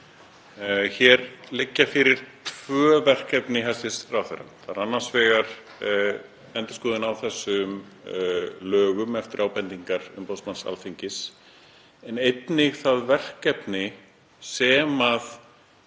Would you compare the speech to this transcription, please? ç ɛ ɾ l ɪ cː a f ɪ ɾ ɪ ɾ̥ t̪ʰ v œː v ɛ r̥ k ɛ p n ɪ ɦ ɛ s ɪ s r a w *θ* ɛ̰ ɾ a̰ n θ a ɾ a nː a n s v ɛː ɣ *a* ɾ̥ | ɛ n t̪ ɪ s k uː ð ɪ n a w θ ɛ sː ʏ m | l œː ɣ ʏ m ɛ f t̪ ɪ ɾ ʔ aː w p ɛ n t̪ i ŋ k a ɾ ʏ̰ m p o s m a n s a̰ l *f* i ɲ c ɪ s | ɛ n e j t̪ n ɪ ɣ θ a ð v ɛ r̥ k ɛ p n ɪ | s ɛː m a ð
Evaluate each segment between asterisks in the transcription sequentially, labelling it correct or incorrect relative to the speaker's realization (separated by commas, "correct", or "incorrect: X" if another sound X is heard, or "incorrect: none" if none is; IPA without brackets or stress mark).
correct, correct, correct